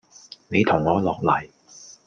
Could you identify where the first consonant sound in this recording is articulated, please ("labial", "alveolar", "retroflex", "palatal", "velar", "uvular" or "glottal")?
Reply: alveolar